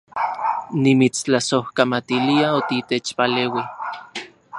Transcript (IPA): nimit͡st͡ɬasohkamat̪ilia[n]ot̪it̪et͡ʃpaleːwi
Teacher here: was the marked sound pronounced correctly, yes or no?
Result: no